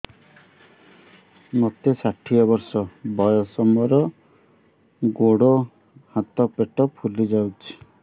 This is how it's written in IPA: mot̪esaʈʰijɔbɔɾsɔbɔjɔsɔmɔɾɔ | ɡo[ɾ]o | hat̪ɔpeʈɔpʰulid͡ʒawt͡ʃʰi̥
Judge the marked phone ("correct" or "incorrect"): incorrect